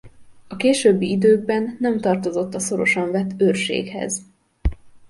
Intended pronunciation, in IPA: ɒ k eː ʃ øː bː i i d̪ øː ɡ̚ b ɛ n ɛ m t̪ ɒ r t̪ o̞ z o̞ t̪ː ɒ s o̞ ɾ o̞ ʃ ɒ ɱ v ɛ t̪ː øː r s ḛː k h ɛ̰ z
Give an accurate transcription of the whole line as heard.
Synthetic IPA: ɒ k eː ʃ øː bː i i d̪ øː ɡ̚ b ɛ nː ɛ m t̪ ɒ r t̪ o̞ z o̞ t̪ː ɒ s o̞ ɾ o̞ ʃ ɒ ɱ v ɛ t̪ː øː r ʃ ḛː k h ɛ̰ z